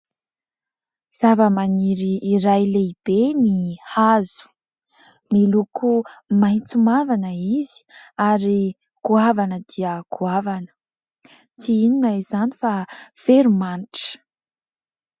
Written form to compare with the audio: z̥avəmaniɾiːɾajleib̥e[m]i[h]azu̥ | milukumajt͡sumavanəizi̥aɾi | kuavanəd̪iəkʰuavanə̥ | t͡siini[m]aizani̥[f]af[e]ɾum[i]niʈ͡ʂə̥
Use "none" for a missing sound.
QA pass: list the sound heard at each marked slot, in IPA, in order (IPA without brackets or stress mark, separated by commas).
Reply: n, h, n, f, e, a